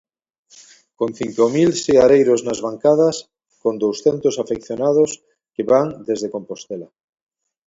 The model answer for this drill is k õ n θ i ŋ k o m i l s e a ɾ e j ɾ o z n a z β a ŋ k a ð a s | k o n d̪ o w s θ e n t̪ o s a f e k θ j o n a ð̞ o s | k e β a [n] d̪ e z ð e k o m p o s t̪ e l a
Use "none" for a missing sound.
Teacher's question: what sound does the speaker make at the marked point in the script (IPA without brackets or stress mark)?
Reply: ŋ